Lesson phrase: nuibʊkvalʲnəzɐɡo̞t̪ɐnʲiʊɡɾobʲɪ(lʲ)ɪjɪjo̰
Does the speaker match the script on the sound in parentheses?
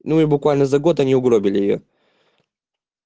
yes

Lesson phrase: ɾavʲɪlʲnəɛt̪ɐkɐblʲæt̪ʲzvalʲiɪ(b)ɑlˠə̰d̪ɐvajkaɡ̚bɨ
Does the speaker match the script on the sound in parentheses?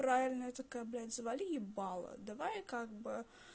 yes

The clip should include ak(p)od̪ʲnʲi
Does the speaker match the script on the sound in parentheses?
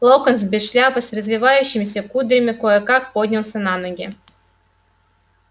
yes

